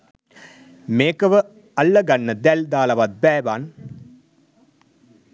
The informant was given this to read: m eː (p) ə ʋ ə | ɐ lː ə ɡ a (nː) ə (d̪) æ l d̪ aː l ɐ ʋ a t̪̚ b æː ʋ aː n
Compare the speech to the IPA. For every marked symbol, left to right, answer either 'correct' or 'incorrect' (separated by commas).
incorrect, correct, correct